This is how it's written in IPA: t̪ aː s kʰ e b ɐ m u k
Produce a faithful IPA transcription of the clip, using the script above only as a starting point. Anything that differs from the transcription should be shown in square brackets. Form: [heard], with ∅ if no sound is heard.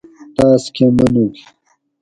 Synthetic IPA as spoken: t̪ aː s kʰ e [m] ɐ [n] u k